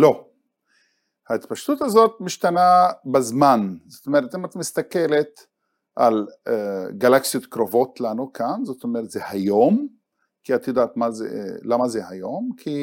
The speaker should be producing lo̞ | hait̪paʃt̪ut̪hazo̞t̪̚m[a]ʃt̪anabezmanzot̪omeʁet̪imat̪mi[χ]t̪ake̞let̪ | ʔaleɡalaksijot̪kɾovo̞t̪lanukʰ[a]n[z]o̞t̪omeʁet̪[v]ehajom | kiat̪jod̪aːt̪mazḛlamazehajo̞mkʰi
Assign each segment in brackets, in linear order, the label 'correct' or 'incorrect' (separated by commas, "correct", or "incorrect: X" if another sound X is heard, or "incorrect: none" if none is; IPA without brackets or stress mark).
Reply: incorrect: i, incorrect: s, correct, correct, incorrect: z